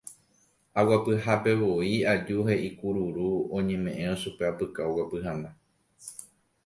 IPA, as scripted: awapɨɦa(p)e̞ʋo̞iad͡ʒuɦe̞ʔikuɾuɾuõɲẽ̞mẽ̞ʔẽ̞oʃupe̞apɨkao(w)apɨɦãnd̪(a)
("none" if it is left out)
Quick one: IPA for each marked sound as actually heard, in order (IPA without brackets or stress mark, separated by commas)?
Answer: p, w, a